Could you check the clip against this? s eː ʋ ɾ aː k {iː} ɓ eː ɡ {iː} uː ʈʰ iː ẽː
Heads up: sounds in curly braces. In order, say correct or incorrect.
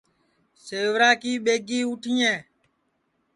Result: correct, correct

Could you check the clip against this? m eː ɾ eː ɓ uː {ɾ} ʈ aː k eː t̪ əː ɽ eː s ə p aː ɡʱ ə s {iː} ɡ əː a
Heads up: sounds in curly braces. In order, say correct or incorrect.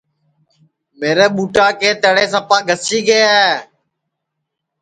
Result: incorrect, correct

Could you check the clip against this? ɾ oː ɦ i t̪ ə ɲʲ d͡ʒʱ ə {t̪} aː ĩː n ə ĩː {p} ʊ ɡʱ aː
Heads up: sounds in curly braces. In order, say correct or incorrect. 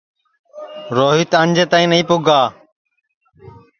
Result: correct, correct

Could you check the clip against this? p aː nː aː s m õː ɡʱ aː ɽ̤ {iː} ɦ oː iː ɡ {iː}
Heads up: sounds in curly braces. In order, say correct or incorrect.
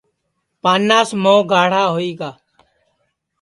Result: incorrect, incorrect

